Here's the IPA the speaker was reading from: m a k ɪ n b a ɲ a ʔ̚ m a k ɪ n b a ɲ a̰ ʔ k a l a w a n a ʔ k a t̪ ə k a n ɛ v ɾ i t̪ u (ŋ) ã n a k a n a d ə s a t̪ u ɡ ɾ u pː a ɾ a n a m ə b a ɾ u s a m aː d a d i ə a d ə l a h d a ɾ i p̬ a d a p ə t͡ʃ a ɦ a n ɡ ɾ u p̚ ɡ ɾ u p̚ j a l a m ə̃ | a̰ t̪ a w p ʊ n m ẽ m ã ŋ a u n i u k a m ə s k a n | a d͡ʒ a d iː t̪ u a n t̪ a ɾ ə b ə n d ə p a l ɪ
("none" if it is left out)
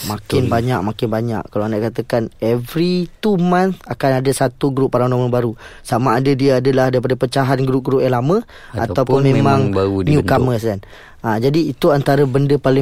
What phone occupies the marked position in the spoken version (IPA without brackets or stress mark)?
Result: m